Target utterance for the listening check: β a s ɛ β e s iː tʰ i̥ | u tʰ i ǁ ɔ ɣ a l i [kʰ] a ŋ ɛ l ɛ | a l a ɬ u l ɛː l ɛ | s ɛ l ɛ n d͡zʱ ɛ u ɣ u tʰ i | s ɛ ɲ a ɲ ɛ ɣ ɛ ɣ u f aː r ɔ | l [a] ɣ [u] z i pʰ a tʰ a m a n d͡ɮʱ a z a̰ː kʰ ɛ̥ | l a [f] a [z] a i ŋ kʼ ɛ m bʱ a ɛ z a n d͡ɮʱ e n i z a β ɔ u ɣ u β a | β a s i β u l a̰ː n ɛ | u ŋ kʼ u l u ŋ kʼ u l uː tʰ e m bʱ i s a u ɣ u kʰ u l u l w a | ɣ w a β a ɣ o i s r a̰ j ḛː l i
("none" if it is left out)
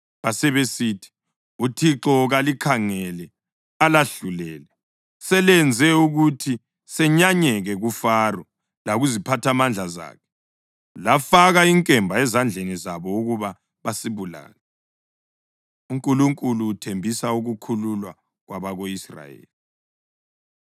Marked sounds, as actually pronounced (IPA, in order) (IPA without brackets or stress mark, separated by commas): kʰ, a, u, f, ɣ